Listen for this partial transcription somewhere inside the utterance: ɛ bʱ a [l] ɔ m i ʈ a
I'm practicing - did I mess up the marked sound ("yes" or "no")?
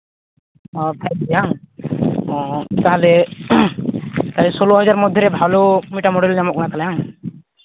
no